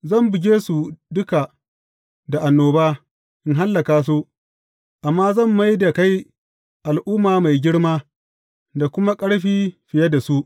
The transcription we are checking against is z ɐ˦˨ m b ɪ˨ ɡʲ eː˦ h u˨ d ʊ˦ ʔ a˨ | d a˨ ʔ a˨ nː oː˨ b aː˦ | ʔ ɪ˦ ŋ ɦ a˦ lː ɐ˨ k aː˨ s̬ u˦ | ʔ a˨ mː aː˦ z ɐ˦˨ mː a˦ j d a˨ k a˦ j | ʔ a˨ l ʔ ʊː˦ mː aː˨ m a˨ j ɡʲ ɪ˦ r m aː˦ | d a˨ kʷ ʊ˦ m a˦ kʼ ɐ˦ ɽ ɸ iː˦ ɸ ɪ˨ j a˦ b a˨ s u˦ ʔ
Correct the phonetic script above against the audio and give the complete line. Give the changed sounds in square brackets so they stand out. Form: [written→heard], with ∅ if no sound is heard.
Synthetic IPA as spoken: z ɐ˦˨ m b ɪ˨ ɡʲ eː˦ [h→s] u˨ d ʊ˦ [ʔ→k] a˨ | d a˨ ʔ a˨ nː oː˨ b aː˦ | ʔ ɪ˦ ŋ ɦ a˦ lː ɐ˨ k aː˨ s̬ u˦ | ʔ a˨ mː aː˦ z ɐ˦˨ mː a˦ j d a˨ k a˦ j | ʔ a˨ l ʔ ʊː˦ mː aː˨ m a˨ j ɡʲ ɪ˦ [r→ɽ] m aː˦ | d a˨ kʷ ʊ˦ m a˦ kʼ ɐ˦ ɽ ɸ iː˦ ɸ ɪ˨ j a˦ [b→d] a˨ s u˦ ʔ